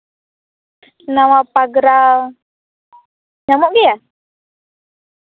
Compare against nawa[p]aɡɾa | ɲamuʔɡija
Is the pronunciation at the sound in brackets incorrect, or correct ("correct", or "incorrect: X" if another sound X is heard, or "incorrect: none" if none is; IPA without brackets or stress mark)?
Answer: correct